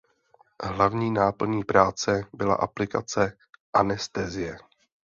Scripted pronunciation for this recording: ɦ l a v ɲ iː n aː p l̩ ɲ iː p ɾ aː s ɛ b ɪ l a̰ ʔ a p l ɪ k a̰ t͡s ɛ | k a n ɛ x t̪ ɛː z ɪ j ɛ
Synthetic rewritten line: ɦ l a v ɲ iː n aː p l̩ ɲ iː p ɾ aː t͡s ɛ b ɪ l a̰ ʔ a p l ɪ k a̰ t͡s ɛ | ʔ a n ɛ s t̪ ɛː z ɪ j ɛ